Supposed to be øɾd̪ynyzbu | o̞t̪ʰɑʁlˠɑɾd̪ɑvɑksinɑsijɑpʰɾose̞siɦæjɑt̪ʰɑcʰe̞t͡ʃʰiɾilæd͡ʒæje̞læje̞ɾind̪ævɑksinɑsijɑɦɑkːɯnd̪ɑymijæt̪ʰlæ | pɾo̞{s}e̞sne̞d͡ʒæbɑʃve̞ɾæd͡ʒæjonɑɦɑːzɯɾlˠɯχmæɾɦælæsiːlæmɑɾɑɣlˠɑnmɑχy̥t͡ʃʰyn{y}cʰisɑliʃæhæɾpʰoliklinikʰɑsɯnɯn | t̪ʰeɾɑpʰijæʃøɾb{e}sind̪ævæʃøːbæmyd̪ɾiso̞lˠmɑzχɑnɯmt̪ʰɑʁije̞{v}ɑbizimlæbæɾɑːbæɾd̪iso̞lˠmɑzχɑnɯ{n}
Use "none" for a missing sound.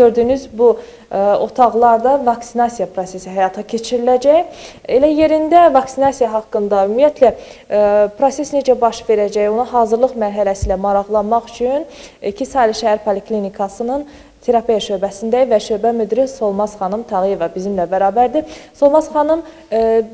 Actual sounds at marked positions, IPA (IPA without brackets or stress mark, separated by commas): s, i, æ, v, m